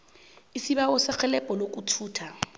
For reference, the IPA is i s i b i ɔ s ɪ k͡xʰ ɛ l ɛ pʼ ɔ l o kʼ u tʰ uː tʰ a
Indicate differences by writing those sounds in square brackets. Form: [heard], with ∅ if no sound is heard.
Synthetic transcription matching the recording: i s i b [a] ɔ s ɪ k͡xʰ ɛ l ɛ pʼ ɔ l o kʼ u tʰ uː tʰ a